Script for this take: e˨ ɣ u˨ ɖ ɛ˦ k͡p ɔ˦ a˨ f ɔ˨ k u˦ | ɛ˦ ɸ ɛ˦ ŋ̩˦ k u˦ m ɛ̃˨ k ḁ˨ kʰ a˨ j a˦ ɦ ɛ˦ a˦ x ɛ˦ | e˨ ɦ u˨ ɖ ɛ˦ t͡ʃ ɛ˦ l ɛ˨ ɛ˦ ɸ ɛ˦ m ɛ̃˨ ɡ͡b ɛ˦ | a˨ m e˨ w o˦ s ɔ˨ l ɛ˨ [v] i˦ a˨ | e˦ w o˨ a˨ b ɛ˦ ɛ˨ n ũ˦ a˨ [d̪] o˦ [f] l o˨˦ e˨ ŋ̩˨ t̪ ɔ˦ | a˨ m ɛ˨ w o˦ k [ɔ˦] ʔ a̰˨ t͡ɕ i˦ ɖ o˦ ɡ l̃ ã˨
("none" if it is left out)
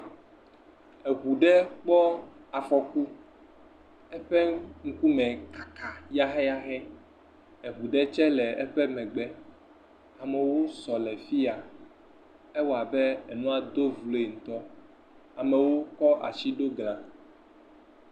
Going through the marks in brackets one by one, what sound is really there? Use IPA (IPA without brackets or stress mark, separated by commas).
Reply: f, d̪, v, ɔ˦